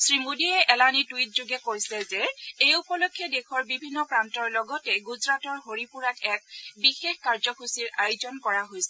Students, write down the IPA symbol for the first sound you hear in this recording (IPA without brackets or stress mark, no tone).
s